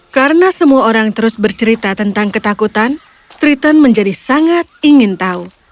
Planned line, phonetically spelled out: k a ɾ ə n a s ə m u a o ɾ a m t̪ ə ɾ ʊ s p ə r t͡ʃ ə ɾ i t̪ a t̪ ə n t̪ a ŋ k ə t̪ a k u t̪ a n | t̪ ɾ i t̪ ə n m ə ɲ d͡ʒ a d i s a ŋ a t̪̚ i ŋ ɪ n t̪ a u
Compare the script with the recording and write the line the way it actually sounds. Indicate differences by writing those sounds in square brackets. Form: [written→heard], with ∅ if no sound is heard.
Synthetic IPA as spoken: k a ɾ ə n a s ə m u a o ɾ a [m→ŋ] t̪ ə ɾ ʊ s [p→b] ə r t͡ʃ ə ɾ i t̪ a t̪ ə n t̪ a ŋ k ə t̪ a k u t̪ a n | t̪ ɾ i t̪ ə n m ə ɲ d͡ʒ a d i s a ŋ a t̪̚ i ŋ ɪ n t̪ a u